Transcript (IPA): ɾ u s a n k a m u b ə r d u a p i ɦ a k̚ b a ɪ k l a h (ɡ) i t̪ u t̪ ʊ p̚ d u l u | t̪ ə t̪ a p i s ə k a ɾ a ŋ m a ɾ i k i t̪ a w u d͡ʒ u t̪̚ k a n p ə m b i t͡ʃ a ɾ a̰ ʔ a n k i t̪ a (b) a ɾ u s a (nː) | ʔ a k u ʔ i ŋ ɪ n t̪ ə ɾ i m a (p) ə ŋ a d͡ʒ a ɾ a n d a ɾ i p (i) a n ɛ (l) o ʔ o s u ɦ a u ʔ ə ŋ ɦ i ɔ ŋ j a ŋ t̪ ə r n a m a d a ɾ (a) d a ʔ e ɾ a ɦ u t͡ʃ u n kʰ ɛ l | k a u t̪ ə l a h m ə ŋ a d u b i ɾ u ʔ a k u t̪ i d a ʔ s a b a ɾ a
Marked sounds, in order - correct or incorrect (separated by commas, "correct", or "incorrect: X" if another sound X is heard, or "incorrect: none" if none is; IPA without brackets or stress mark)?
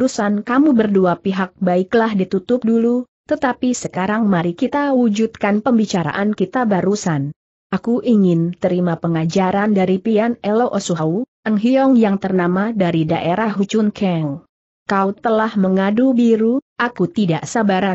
incorrect: d, correct, incorrect: n, correct, correct, correct, incorrect: i